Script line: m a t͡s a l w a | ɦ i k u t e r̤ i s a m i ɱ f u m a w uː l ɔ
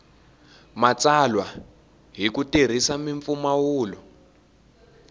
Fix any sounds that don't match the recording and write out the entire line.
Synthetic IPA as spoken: m a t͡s a l w a | ɦ i k u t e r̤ i s a m i ɱ f u m a w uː l ɔ